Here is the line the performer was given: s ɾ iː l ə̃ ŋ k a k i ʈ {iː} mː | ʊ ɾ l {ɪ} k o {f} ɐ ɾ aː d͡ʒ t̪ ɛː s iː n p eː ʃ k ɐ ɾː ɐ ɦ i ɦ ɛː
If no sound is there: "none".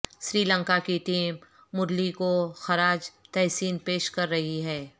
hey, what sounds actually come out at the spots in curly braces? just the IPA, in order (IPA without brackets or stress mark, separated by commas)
iː, i, x